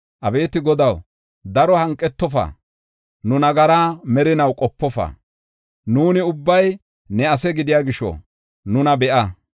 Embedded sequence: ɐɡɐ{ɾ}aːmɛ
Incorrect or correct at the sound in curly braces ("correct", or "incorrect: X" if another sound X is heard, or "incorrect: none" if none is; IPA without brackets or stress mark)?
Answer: correct